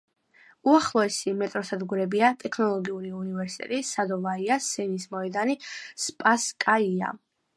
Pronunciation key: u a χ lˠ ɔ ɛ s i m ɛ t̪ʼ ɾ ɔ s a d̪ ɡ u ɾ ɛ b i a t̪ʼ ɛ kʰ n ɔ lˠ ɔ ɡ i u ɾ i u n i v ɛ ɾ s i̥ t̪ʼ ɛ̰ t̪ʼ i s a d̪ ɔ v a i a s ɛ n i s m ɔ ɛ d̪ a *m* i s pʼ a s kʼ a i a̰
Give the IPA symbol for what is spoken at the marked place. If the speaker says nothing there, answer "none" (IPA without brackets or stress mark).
n